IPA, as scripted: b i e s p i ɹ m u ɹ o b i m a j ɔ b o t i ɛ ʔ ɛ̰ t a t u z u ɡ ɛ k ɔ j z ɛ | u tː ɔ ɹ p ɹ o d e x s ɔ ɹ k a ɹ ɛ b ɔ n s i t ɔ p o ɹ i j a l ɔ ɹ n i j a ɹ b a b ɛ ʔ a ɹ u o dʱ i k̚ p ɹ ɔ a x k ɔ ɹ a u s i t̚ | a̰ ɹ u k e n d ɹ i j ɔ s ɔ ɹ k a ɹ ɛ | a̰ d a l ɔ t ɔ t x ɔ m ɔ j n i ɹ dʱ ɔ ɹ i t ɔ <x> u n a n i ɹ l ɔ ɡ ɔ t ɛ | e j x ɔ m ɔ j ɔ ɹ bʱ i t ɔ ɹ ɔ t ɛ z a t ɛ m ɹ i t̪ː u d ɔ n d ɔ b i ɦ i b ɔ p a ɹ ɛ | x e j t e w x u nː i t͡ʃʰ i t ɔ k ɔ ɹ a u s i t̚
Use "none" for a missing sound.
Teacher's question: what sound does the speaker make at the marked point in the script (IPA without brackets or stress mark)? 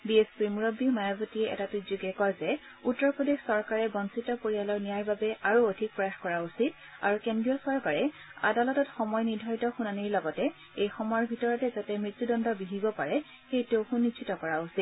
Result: x